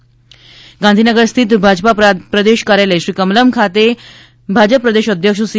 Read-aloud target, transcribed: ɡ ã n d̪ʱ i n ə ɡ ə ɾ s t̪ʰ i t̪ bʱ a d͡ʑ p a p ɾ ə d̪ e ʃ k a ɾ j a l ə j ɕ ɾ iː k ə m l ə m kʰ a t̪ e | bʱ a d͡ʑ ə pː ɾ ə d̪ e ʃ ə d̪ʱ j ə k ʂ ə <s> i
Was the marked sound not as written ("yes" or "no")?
no